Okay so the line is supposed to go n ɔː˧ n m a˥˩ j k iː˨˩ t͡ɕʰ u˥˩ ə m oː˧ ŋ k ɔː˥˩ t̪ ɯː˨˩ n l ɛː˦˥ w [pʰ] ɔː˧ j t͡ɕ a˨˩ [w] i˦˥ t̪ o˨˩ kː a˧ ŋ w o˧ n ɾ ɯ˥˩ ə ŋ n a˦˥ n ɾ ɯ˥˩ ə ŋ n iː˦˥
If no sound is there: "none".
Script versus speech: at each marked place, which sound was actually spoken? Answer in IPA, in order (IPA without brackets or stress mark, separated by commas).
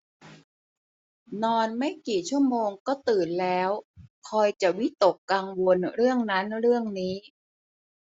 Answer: kʰ, w